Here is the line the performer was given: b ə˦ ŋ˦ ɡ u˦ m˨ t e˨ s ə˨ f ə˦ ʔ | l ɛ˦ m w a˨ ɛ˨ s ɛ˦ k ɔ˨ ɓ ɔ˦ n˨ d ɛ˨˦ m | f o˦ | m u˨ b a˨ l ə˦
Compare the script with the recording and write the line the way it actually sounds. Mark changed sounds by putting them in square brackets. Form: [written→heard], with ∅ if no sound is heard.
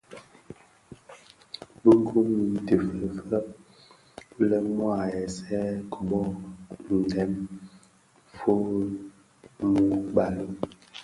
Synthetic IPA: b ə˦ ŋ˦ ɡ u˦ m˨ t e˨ [s→f] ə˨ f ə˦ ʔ | l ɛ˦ m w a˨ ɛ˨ s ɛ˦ k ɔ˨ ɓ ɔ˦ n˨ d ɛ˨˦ m | f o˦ | m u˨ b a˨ l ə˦